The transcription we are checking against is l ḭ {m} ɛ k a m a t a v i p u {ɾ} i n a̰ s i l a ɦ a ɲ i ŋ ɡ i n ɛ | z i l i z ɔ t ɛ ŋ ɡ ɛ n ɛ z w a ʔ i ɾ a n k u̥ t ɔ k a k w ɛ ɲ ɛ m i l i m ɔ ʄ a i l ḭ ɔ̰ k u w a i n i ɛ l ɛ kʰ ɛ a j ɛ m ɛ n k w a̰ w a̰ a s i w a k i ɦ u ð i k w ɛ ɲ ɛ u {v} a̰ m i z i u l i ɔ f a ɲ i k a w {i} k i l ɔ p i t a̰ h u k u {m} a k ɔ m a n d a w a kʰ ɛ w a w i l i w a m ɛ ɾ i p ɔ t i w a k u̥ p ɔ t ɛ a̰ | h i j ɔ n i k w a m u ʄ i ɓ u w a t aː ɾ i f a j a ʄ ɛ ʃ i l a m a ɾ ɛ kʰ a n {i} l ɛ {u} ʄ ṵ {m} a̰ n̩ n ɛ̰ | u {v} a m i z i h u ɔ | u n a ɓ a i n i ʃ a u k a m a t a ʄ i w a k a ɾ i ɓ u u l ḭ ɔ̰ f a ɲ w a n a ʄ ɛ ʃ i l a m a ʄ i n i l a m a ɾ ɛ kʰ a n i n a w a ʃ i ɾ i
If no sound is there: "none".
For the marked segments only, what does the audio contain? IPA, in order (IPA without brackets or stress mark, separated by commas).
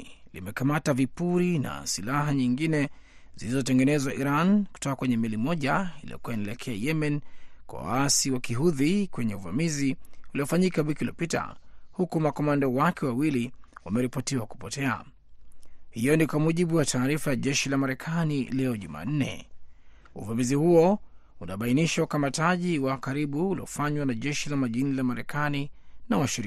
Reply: m, ɾ, v, i, m, i, ɔ, m, v